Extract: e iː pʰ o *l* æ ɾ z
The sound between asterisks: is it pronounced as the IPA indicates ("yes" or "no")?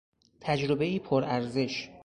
no